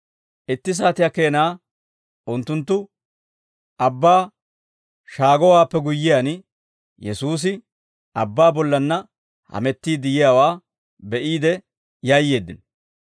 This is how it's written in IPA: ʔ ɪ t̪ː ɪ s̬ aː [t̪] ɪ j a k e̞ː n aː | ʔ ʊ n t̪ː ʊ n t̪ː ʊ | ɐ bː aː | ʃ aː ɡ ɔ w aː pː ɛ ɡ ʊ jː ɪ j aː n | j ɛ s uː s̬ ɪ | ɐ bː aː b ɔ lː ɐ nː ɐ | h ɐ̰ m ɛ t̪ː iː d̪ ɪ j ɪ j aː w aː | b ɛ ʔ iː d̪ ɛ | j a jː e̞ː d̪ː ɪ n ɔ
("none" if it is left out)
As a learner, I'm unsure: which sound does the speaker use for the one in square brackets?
t̪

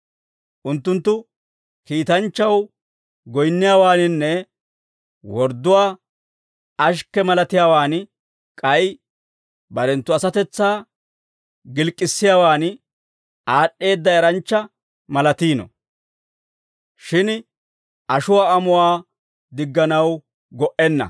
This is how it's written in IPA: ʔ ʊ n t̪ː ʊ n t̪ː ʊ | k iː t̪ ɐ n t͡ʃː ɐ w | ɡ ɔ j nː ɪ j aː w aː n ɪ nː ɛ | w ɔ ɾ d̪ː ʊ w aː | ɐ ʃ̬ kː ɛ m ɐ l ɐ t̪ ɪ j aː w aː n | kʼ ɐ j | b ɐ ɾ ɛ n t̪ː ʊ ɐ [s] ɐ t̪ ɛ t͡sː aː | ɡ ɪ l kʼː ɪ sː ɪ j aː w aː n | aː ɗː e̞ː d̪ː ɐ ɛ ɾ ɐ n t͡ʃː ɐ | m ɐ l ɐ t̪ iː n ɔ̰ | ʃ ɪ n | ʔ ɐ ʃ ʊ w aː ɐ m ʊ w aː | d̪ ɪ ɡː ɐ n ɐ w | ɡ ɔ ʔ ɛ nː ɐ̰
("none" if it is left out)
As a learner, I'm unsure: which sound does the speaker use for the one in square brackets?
s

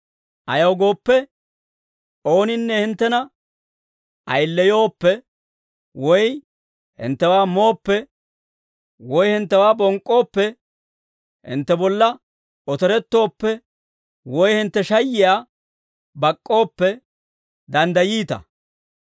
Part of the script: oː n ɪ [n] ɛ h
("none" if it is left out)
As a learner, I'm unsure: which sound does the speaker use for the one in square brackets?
nː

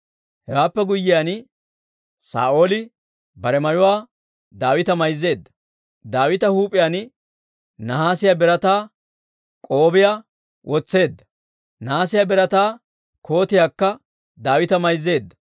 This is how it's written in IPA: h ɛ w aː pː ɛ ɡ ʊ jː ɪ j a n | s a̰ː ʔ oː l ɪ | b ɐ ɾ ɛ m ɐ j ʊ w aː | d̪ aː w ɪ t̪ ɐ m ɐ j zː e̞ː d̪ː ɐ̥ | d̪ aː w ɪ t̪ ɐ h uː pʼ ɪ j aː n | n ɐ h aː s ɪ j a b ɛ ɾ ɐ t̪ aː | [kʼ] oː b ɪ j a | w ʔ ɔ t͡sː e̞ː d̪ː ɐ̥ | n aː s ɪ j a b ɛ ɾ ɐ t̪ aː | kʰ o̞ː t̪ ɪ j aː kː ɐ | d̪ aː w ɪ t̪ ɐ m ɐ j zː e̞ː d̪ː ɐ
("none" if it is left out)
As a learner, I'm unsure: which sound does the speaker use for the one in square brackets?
kʼ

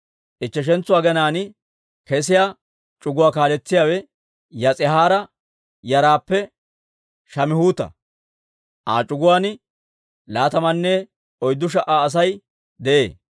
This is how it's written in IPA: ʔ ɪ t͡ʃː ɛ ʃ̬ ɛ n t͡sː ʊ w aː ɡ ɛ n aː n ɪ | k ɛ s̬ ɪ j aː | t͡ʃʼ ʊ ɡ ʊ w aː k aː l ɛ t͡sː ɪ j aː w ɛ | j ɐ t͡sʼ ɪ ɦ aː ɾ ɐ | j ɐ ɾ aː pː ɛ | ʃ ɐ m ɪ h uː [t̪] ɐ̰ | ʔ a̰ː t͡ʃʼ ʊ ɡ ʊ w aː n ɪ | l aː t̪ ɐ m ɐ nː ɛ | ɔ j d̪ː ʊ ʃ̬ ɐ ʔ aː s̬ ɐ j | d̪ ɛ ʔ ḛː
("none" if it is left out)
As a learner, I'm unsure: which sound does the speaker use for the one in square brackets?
t̪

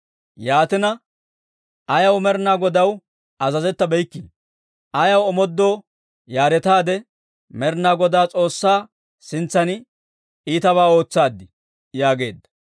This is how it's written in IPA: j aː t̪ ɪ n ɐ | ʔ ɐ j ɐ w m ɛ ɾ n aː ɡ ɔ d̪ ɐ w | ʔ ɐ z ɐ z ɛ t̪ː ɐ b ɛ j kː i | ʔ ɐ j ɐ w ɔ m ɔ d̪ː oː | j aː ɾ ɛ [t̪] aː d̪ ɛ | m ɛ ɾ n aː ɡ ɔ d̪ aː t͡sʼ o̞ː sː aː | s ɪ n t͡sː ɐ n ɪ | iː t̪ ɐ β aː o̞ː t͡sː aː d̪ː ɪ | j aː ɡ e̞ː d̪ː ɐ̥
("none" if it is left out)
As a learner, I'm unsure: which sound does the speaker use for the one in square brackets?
t̪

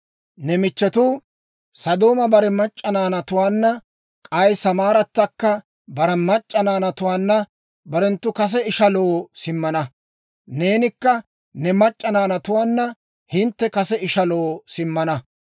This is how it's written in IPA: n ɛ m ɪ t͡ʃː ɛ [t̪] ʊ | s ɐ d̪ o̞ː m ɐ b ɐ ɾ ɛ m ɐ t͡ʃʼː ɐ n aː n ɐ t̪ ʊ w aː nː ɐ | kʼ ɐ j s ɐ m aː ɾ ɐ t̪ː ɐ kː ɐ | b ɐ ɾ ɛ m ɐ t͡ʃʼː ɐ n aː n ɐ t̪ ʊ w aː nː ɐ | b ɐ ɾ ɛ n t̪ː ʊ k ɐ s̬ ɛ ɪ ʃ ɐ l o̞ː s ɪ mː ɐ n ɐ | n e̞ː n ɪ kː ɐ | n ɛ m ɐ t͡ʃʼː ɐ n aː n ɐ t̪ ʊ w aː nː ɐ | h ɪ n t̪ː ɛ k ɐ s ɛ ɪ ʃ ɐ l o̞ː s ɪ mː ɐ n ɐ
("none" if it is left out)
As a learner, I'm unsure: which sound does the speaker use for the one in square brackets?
t̪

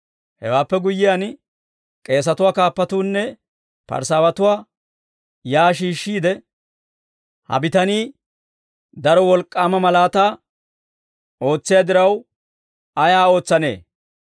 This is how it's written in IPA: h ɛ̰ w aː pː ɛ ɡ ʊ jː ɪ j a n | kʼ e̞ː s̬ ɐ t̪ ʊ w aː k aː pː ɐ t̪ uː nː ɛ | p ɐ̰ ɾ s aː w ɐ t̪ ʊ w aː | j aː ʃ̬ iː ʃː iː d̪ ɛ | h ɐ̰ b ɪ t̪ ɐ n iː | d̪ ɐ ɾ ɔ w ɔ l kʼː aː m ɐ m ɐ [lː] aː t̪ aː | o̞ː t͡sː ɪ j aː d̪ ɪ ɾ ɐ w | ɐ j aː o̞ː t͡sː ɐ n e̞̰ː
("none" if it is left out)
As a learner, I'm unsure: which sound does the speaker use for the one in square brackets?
l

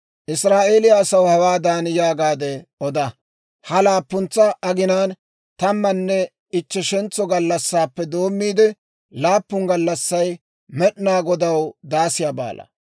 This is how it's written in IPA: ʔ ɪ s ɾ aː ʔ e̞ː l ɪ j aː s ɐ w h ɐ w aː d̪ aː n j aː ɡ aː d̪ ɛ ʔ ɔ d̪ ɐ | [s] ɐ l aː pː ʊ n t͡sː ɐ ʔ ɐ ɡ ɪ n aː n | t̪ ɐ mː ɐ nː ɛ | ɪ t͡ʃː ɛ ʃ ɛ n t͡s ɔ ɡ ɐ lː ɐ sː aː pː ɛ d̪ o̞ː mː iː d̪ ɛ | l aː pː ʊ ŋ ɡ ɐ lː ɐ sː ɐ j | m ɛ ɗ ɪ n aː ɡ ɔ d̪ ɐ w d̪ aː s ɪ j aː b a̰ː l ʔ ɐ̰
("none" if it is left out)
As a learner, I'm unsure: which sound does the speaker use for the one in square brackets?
h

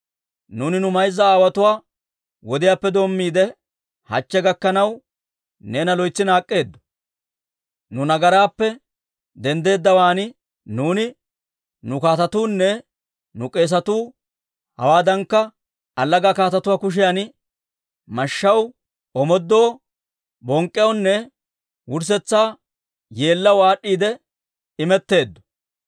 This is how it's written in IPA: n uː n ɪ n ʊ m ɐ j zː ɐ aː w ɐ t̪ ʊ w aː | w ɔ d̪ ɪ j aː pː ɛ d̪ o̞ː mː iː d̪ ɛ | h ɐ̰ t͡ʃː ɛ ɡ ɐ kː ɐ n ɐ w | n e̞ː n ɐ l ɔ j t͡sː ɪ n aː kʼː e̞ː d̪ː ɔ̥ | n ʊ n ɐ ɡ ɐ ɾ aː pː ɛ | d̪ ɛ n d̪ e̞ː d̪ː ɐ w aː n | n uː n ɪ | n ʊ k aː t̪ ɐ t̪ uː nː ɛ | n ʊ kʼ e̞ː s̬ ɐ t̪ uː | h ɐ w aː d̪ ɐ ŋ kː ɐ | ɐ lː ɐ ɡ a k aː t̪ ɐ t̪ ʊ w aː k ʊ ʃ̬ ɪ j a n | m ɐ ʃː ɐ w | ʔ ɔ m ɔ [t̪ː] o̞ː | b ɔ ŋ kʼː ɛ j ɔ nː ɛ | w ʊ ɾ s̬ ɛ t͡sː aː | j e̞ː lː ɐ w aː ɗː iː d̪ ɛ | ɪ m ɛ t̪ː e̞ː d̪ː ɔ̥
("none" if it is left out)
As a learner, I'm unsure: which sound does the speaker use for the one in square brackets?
d̪ː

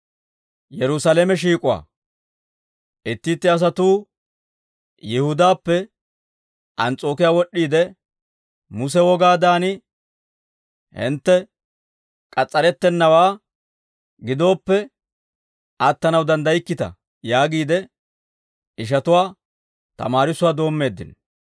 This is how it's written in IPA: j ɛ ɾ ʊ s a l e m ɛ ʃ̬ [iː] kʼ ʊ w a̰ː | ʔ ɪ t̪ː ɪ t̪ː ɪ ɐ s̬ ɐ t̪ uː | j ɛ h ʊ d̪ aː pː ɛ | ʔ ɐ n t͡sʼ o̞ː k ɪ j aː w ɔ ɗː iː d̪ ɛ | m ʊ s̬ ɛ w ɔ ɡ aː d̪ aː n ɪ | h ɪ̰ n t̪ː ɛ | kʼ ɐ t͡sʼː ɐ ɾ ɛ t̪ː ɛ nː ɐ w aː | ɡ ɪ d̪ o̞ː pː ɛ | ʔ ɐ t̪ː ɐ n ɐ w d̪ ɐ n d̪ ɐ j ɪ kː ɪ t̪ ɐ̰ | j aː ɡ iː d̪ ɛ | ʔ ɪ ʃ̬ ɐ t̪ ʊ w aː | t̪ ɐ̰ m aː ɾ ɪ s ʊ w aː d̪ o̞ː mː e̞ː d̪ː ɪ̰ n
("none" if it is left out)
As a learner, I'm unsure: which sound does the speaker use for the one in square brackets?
iː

